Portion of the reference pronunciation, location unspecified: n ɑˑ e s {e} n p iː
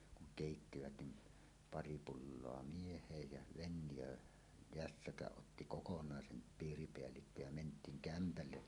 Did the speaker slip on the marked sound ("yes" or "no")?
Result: no